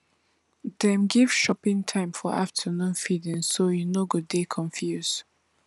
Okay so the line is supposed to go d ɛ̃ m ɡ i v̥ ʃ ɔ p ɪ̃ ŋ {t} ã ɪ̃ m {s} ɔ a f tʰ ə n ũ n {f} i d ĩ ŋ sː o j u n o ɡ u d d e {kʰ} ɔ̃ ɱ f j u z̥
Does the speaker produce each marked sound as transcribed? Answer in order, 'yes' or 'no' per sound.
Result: no, no, yes, yes

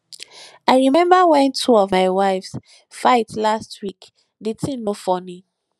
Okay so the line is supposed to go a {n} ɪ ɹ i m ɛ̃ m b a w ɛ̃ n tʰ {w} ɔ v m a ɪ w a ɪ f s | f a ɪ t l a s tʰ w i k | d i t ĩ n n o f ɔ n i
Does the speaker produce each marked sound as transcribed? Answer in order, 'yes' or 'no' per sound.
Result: no, no

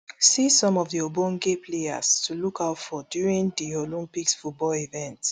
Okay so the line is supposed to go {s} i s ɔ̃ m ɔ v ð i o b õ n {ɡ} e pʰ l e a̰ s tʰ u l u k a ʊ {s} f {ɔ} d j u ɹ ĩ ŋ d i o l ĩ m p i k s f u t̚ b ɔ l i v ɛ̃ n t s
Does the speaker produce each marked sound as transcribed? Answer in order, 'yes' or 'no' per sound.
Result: yes, yes, no, yes

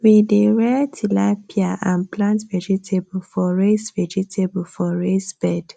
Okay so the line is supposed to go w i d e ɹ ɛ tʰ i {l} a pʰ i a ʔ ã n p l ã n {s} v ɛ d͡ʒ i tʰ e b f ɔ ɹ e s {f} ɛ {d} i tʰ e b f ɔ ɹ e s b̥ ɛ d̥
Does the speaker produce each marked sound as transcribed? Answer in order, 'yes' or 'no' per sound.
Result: yes, no, no, no

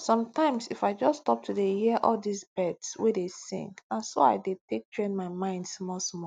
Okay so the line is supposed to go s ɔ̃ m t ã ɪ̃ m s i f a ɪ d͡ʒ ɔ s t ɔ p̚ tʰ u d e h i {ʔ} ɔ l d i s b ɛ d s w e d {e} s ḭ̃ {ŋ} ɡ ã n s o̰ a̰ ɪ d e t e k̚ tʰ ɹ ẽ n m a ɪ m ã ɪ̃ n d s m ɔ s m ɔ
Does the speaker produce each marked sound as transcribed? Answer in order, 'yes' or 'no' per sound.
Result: yes, yes, yes

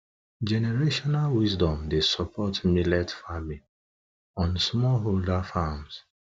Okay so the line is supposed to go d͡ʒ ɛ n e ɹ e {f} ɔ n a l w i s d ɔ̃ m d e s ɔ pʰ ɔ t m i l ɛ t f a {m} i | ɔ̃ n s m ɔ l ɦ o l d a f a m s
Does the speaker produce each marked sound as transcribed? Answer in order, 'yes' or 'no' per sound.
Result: no, yes

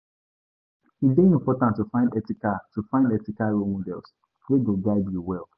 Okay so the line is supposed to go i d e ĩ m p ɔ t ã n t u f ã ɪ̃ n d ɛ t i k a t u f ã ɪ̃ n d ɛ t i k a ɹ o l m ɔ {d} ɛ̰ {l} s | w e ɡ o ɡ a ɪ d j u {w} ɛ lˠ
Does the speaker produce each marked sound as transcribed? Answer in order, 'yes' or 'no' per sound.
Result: yes, yes, yes

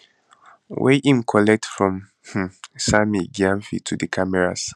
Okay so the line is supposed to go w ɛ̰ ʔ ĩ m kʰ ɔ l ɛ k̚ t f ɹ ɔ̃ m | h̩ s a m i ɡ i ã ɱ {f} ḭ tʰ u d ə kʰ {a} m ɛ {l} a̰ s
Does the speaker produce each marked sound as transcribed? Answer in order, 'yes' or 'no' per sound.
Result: yes, yes, no

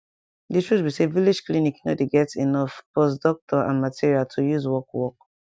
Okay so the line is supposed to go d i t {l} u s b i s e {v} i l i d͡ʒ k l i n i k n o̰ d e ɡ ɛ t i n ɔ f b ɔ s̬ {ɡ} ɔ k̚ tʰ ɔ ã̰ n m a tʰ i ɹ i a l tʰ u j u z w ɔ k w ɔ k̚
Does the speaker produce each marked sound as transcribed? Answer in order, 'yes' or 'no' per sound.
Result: no, yes, no

